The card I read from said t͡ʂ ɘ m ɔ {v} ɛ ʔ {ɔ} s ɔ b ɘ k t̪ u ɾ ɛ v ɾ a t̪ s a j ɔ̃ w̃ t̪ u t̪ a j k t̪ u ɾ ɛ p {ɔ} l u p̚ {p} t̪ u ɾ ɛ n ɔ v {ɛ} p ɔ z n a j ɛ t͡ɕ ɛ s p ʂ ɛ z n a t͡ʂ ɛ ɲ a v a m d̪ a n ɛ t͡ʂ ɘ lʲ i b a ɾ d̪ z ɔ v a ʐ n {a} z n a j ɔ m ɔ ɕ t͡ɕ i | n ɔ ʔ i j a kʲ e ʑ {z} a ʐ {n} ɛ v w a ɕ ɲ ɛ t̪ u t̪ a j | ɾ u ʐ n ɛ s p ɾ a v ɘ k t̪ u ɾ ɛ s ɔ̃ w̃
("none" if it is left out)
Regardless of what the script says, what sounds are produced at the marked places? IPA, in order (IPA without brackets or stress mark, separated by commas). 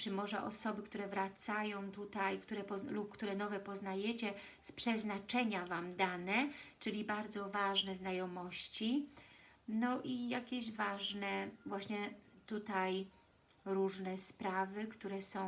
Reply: ʐ, ɔ, ɔ, k, ɛ, ɛ, v, n